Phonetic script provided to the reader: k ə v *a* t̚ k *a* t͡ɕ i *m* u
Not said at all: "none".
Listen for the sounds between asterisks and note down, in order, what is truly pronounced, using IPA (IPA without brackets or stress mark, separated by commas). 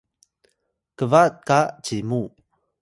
a, a, m